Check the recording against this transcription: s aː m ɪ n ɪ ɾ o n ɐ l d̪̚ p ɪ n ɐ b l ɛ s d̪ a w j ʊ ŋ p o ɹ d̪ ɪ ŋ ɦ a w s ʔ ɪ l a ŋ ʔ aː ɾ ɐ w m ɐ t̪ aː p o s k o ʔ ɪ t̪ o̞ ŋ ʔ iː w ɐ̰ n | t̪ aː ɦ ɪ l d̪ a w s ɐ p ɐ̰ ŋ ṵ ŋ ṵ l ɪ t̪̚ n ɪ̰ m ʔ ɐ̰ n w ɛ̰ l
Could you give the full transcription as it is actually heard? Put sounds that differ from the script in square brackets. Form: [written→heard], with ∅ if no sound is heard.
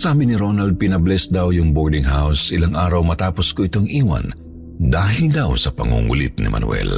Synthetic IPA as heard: s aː [m→b] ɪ n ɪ ɾ o n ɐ l d̪̚ p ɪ n ɐ b l ɛ s d̪ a w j ʊ ŋ [p→b] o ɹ d̪ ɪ ŋ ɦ a w s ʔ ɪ l a ŋ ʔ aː ɾ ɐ w m ɐ t̪ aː p o s k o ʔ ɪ t̪ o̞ ŋ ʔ iː w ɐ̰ n | [t̪→d̪] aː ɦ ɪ l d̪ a w s ɐ p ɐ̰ ŋ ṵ ŋ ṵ l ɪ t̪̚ n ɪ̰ m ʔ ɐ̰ n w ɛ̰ l